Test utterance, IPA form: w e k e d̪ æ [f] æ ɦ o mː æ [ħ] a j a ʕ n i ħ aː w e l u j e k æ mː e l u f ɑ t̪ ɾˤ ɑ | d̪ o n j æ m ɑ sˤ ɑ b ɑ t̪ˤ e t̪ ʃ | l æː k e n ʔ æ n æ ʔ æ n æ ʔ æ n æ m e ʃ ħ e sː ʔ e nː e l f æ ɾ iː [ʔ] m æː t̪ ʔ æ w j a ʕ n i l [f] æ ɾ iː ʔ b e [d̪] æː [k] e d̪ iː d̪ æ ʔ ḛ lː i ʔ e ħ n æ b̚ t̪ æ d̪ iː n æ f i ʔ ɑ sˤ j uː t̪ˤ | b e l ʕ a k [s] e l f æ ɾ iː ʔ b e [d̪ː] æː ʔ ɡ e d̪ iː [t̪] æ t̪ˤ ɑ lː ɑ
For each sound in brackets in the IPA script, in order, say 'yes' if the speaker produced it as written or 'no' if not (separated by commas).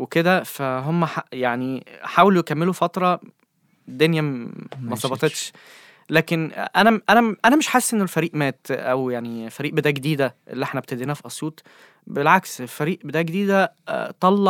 yes, yes, yes, yes, yes, no, yes, no, no